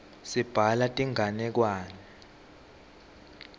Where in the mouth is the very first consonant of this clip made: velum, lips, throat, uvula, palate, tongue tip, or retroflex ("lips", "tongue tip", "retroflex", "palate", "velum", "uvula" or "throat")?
tongue tip